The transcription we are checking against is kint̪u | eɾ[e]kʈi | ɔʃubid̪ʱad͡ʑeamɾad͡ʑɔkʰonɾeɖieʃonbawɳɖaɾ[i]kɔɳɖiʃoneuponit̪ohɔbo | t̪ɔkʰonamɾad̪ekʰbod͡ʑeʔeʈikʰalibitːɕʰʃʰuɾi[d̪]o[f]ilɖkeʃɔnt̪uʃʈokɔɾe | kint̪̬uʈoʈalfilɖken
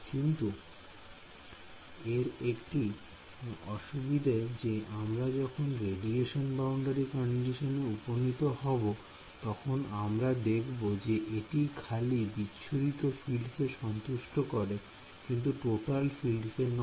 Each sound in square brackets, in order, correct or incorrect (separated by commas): correct, correct, incorrect, correct